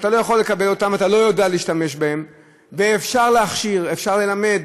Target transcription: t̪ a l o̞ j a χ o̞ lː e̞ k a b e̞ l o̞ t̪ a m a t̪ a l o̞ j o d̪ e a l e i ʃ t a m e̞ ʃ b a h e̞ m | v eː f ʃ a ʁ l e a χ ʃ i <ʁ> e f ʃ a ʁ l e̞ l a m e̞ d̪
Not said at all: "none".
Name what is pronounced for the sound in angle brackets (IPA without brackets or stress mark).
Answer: ʁ